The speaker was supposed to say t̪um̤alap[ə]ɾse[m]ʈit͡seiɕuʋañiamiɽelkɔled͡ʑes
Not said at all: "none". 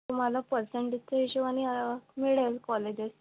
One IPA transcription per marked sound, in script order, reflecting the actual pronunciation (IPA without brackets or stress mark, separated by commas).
ə, ɳ